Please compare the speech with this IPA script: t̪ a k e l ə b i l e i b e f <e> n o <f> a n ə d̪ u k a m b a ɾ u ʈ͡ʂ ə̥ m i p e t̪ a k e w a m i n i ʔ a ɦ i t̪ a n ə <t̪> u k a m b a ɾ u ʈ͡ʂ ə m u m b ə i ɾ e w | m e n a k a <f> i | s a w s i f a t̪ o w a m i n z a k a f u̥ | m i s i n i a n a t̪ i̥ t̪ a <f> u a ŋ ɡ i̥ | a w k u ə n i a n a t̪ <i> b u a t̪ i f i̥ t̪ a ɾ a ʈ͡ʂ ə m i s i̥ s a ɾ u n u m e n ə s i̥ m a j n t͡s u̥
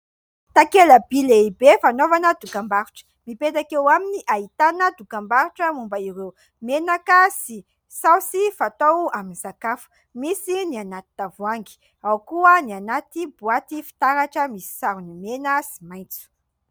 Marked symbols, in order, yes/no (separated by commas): no, no, no, no, no, yes